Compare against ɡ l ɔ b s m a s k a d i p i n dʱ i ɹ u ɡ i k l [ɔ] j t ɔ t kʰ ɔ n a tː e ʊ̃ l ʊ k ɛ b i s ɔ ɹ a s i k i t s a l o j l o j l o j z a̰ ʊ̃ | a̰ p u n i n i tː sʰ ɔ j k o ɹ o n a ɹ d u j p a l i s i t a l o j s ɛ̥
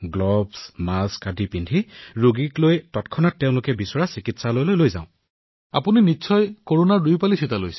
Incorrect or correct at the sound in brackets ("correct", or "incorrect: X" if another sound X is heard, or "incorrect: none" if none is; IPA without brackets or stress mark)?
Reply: incorrect: o